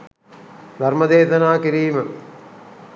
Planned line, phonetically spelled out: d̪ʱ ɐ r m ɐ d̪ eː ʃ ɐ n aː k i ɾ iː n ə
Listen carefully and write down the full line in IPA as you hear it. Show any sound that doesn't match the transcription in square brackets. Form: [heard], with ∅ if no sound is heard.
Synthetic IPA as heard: d̪ʱ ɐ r m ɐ d̪ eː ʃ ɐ n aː k i ɾ iː [m] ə